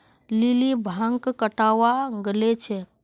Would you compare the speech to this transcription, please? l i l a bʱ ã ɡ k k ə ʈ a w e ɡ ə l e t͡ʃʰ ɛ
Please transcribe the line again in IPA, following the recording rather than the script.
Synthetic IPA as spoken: l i l i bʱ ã ŋ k k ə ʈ a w a ɡ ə l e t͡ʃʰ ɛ